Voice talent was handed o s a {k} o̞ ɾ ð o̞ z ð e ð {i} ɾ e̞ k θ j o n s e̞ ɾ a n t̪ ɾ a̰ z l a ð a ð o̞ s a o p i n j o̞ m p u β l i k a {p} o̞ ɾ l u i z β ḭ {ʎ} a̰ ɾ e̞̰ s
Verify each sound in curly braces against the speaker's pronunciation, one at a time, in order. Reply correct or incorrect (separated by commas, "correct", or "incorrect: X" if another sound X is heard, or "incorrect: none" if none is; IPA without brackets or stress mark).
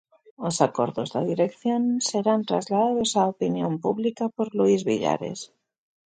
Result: correct, correct, correct, correct